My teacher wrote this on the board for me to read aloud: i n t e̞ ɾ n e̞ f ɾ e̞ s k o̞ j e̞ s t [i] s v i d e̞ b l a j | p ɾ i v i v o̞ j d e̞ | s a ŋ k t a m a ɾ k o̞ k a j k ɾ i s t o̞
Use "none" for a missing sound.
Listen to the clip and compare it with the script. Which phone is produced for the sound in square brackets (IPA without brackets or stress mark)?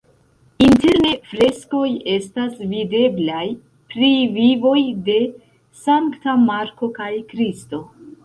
a